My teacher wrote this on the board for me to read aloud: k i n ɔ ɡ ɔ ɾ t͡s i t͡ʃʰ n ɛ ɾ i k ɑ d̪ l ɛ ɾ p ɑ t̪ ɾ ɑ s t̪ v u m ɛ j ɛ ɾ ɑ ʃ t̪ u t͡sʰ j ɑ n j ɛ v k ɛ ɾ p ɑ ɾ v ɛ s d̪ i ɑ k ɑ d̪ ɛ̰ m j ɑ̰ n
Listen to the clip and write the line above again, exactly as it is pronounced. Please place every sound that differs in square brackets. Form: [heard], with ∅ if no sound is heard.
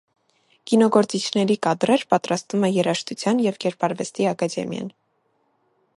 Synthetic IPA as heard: k i n ɔ ɡ ɔ ɾ t͡s i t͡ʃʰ n ɛ ɾ i k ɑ d̪ [ɾ] ɛ ɾ p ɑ t̪ ɾ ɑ s t̪ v u m ɛ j ɛ ɾ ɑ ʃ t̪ u t͡sʰ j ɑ n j ɛ v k ɛ ɾ p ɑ ɾ v ɛ s [t̪] i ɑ k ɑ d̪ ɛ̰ m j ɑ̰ n